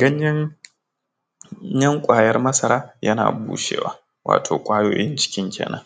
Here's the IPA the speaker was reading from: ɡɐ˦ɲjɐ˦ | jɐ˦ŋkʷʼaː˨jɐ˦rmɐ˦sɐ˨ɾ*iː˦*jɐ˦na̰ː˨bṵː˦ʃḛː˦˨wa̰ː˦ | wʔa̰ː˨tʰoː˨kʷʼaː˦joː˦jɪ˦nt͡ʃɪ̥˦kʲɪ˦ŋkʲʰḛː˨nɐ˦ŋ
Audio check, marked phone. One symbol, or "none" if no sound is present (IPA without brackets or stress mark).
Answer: aː˦